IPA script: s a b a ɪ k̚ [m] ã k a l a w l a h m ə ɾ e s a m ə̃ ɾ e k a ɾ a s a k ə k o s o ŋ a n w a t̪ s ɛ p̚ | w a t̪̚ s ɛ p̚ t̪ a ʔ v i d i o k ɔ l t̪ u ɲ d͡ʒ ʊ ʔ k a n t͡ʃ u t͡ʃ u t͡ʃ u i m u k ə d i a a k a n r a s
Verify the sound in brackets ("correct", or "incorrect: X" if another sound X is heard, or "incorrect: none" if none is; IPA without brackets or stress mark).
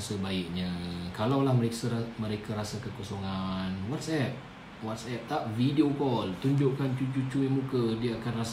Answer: incorrect: ɲ